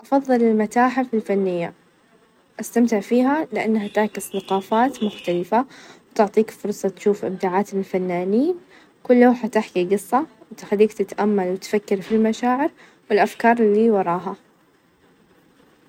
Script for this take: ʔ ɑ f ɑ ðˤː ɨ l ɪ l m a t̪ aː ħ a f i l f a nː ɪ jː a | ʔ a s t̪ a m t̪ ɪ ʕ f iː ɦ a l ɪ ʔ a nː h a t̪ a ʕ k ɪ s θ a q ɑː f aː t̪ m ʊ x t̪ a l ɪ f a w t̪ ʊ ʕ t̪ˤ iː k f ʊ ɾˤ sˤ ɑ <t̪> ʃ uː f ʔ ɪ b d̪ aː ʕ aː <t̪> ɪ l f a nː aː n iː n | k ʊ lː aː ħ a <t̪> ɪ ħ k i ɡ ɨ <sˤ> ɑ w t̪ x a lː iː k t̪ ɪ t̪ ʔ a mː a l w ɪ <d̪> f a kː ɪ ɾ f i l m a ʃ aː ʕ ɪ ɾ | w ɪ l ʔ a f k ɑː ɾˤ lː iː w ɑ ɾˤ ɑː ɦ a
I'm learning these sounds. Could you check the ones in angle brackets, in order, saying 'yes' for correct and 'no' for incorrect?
yes, yes, yes, no, no

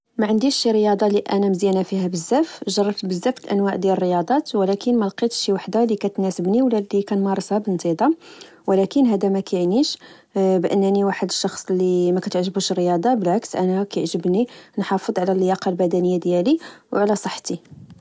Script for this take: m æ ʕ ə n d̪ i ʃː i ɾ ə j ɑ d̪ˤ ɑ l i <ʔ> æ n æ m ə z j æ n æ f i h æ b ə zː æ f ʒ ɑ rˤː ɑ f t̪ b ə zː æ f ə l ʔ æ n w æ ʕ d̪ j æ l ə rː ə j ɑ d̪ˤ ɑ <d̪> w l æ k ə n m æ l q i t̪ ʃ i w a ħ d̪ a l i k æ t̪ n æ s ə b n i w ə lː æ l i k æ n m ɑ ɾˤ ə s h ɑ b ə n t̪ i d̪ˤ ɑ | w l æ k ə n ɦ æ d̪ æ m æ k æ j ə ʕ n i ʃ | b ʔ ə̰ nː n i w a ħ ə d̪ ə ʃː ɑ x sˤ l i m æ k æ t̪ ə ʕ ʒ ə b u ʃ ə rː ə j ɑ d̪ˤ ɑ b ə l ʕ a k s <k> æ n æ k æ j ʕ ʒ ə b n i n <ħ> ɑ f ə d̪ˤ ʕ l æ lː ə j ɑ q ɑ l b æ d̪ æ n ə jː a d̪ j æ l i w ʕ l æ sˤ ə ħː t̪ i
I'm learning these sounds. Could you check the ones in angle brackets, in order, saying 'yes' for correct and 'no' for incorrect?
yes, no, no, yes

